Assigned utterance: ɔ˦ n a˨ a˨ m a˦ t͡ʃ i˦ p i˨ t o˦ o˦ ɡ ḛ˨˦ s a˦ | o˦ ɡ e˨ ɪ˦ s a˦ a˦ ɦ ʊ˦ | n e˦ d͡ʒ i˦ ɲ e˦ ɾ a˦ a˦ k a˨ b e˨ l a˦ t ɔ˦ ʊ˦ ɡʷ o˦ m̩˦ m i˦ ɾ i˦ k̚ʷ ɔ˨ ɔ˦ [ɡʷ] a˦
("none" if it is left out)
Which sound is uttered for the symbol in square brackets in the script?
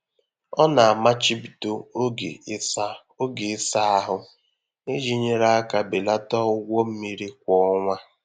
ŋʷ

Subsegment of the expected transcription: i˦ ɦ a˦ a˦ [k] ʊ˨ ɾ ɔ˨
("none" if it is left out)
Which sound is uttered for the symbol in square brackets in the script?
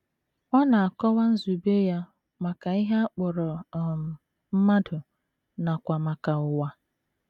k͡p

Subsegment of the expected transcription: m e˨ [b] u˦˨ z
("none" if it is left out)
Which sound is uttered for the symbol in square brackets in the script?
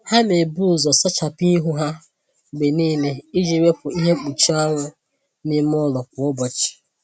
b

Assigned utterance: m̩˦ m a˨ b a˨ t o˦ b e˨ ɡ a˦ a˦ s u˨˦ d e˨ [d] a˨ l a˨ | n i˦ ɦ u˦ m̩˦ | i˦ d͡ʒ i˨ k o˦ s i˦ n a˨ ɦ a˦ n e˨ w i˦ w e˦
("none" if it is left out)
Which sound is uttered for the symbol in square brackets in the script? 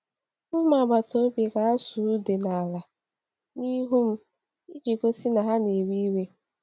n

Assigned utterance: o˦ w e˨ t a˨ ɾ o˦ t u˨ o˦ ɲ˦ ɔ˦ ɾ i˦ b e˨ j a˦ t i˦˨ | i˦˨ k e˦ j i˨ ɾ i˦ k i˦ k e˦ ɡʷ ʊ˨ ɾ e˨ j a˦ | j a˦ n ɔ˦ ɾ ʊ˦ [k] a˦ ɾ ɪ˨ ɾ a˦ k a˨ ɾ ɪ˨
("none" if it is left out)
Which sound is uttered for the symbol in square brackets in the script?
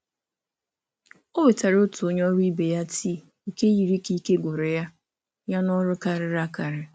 k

